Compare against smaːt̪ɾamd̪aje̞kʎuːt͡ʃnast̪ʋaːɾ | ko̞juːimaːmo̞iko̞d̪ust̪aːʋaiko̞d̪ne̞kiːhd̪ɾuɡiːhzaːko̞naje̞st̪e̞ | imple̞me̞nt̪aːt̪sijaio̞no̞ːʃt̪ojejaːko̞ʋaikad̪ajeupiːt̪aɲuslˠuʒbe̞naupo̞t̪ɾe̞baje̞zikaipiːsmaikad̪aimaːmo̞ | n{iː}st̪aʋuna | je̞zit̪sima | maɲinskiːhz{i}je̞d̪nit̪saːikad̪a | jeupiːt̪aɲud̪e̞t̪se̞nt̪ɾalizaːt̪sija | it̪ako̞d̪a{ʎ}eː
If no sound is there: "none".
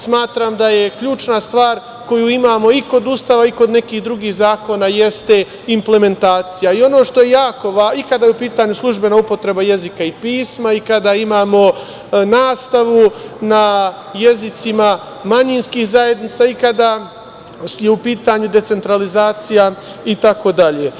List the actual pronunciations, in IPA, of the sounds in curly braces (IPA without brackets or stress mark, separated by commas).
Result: aː, a, ʎ